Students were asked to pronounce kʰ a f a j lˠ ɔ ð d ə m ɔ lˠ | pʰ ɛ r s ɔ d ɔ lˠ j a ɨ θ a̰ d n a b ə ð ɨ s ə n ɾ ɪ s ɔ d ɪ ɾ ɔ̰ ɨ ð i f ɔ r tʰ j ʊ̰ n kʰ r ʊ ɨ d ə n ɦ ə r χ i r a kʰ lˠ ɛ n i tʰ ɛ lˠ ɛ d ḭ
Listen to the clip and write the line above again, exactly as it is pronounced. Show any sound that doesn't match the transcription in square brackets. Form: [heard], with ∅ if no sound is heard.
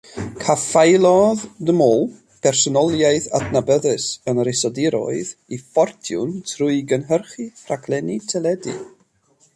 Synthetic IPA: kʰ a f a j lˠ ɔ ð d ə m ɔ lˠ | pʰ ɛ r s ɔ [n] ɔ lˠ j a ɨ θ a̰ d n a b ə ð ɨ s ə n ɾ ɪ s ɔ d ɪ ɾ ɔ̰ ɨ ð i f ɔ r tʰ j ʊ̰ n [tʰ] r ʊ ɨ [ɡ] ə n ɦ ə r χ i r a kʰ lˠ ɛ n i tʰ ɛ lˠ ɛ d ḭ